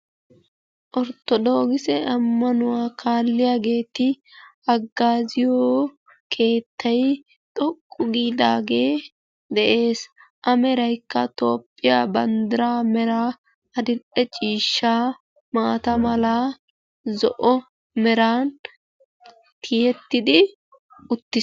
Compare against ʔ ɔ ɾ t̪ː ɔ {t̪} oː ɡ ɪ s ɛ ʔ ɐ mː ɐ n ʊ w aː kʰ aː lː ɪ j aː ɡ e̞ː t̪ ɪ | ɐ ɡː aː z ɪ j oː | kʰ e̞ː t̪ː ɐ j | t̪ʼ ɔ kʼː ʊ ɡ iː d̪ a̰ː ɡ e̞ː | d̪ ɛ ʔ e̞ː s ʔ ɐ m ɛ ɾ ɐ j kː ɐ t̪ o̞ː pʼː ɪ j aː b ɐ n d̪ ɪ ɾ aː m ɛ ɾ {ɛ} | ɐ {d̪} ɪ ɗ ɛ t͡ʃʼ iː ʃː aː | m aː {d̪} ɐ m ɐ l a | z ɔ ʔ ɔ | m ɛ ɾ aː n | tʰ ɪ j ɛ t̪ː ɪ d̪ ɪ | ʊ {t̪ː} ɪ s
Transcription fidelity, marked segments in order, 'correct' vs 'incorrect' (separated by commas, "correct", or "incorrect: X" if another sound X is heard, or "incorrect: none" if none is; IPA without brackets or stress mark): incorrect: d̪, incorrect: a, correct, incorrect: t̪, correct